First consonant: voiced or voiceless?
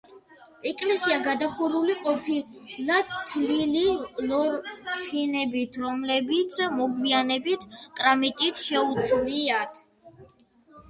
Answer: voiceless